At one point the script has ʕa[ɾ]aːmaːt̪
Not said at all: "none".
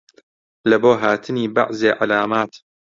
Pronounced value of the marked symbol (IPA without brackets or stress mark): l